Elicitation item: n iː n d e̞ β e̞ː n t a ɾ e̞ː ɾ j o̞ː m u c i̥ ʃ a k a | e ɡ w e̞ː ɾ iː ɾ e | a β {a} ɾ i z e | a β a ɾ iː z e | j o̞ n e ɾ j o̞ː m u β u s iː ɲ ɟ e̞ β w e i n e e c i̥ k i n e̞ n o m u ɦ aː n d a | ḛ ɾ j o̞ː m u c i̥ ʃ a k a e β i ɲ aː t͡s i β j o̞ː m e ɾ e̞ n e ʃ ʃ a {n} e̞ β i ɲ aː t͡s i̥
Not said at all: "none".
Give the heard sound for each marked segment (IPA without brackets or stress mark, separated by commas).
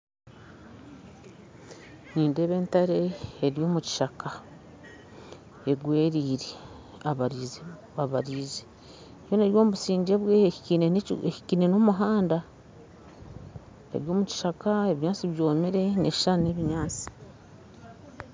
a, n